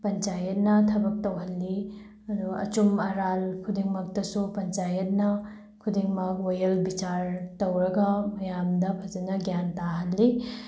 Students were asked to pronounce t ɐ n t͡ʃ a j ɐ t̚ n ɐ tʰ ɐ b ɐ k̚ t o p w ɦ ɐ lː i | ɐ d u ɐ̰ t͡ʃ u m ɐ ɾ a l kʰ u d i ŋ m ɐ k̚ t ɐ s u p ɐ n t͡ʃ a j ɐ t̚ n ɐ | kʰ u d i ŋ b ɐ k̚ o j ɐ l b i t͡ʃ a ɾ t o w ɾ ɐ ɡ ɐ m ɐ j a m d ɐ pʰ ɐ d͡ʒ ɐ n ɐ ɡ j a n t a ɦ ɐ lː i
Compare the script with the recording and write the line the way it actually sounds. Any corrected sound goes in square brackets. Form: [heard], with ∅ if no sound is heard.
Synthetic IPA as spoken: [p] ɐ n t͡ʃ a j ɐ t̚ n ɐ tʰ ɐ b ɐ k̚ t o [∅] w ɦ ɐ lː i | ɐ d u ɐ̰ t͡ʃ u m ɐ ɾ a l kʰ u d i ŋ m ɐ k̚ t ɐ s u p ɐ n t͡ʃ a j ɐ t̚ n ɐ | kʰ u d i ŋ [m] ɐ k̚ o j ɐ l b i t͡ʃ a ɾ t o w ɾ ɐ ɡ ɐ m ɐ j a m d ɐ pʰ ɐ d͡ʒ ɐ n ɐ ɡ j a n t a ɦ ɐ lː i